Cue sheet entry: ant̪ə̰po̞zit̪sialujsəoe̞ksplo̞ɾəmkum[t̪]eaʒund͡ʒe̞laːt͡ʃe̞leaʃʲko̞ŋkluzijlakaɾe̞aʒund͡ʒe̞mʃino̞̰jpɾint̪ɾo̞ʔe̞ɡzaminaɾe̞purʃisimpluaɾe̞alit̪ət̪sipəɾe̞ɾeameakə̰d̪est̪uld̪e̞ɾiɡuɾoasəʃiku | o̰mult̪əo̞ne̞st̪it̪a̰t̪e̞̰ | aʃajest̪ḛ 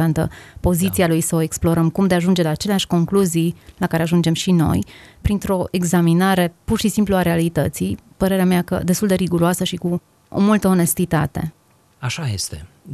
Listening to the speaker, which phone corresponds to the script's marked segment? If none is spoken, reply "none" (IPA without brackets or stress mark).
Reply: d̪